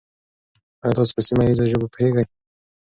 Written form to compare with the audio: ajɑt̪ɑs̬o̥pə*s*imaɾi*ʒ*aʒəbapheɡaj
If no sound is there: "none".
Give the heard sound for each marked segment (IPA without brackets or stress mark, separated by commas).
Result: s, z